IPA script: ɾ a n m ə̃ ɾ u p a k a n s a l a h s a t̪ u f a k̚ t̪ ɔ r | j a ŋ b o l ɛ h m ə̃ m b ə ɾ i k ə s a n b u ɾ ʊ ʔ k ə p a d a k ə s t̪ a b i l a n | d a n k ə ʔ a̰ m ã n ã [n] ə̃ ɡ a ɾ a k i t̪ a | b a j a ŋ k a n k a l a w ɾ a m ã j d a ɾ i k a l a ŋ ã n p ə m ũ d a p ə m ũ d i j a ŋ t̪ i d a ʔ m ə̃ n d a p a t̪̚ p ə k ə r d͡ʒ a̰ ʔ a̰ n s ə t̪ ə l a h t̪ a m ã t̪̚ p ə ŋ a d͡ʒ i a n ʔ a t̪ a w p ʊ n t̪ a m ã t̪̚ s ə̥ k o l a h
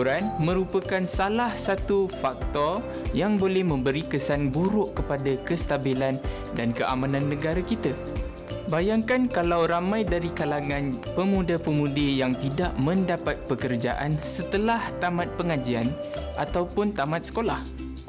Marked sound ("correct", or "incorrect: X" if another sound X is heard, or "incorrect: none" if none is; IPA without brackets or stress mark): incorrect: nː